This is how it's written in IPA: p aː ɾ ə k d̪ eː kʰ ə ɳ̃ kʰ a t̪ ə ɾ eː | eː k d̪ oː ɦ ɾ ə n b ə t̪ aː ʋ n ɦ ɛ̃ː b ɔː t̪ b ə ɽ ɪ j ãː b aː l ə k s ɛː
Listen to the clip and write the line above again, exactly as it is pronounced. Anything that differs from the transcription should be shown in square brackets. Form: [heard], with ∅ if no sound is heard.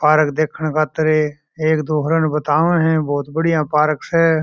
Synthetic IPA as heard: p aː ɾ ə k d̪ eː kʰ ə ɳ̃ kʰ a t̪ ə ɾ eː | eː k d̪ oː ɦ ɾ ə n b ə t̪ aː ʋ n ɦ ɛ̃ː b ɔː t̪ b ə ɽ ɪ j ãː [p] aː [ɾ] ə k s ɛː